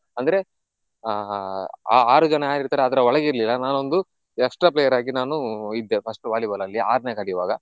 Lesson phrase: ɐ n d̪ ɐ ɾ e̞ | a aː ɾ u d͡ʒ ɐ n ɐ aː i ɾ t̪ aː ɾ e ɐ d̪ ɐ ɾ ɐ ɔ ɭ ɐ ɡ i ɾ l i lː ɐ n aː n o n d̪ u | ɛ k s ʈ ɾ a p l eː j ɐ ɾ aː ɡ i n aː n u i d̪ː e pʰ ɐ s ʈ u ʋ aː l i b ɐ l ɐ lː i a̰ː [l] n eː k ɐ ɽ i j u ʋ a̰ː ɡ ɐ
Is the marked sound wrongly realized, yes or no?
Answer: yes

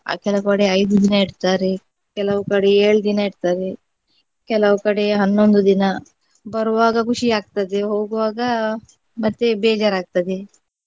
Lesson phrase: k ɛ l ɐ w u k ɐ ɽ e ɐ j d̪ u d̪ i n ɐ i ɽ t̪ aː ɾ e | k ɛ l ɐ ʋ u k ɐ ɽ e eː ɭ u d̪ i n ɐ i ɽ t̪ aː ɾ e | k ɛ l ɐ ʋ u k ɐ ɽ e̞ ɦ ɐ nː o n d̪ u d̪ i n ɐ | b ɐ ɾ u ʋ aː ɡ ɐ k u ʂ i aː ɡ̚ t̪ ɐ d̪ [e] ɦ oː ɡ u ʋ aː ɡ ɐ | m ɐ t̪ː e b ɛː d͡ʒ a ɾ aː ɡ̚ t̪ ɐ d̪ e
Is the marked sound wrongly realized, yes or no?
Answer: no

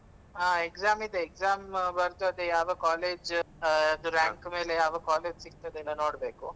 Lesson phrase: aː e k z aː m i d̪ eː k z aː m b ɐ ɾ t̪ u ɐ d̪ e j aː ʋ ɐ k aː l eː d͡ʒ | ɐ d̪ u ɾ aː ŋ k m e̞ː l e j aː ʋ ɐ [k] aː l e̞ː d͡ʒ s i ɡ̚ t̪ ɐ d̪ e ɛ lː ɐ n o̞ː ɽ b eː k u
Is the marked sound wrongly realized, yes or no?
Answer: no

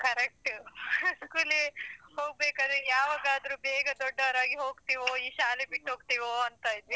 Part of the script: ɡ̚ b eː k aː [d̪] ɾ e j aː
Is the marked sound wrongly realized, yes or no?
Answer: no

